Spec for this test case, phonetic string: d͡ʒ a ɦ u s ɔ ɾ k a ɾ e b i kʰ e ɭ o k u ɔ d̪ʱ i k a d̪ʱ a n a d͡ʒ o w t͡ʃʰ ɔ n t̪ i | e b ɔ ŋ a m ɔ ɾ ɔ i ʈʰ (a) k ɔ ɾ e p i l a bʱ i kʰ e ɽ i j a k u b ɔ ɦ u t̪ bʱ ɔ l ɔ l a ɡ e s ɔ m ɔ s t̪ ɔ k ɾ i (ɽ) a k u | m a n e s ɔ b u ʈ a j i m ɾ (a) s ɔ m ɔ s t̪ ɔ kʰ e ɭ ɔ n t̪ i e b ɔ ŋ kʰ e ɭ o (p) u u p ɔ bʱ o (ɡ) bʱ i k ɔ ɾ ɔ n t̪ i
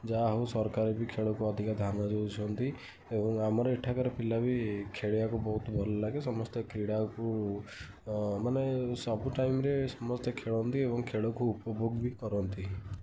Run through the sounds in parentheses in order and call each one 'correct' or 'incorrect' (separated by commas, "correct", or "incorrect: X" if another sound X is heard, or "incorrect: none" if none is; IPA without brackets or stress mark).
correct, correct, incorrect: e, incorrect: k, correct